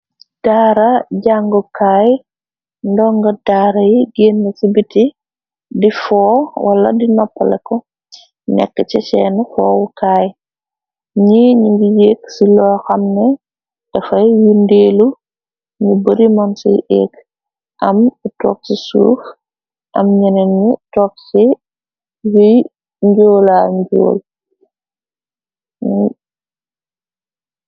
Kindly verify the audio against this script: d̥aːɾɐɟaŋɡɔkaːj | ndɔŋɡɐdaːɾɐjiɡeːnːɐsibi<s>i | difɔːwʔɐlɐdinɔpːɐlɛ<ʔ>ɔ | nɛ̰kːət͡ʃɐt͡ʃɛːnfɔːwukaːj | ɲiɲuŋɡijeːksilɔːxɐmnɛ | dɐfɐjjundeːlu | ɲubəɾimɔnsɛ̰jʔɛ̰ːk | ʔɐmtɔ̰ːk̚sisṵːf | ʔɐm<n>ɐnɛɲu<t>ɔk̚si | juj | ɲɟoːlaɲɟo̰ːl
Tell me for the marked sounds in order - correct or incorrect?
incorrect: t, incorrect: k, incorrect: ɲ, correct

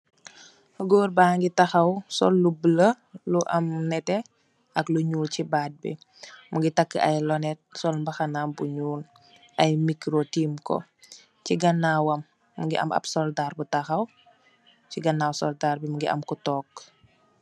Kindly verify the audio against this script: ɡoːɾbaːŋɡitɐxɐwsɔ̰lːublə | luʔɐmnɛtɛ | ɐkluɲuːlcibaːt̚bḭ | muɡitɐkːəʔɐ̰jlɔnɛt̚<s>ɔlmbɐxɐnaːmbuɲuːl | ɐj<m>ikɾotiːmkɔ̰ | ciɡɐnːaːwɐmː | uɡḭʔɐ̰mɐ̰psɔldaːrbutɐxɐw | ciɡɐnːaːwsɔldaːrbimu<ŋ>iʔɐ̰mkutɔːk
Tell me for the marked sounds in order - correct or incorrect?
correct, correct, incorrect: ɡ

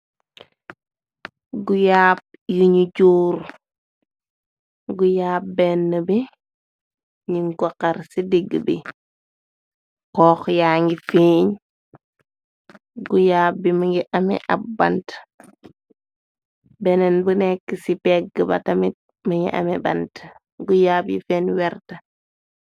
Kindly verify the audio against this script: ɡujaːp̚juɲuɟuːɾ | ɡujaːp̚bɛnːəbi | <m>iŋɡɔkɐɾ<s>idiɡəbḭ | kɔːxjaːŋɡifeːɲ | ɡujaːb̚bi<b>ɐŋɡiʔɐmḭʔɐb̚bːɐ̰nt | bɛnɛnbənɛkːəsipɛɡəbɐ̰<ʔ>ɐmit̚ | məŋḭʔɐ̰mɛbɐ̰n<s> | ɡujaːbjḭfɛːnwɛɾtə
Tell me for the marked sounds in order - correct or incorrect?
incorrect: ɲ, correct, incorrect: m, incorrect: t, incorrect: t

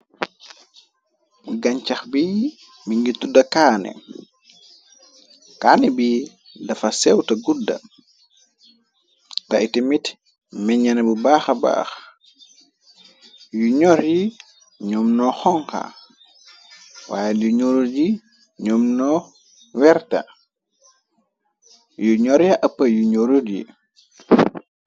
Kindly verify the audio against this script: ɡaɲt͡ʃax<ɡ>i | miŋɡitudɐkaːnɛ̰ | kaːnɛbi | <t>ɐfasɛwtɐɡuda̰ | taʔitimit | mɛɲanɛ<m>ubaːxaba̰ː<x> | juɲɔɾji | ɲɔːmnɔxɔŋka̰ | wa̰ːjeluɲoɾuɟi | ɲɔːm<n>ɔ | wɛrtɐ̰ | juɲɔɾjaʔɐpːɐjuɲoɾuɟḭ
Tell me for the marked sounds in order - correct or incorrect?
incorrect: b, incorrect: d, incorrect: b, correct, correct

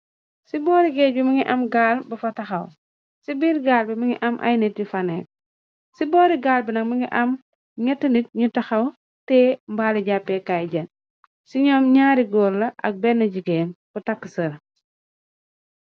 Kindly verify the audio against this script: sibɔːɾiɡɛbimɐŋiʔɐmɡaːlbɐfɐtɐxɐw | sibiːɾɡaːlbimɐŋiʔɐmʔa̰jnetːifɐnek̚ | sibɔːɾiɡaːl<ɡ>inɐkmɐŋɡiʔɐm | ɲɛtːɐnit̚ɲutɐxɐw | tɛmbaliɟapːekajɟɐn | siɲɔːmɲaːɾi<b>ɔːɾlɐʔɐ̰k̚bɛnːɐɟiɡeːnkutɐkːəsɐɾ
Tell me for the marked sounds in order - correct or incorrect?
incorrect: b, incorrect: ɡ

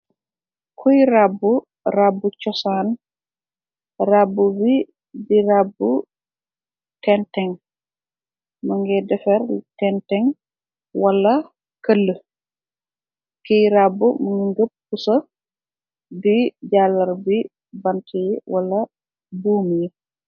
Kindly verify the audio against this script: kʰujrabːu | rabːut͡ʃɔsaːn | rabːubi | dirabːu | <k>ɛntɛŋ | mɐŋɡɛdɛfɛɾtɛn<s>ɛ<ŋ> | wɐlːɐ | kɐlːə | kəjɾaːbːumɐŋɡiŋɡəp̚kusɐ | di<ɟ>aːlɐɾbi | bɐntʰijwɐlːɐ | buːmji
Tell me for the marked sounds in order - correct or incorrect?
incorrect: t, incorrect: t, correct, correct

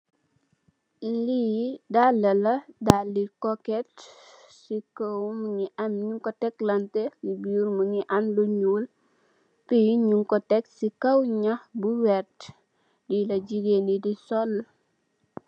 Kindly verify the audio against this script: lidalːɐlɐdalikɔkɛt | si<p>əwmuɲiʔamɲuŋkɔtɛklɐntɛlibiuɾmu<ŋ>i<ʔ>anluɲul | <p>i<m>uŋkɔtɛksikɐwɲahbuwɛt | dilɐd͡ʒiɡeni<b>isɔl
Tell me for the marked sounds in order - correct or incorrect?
incorrect: k, incorrect: ɲ, correct, correct, incorrect: ɲ, incorrect: d

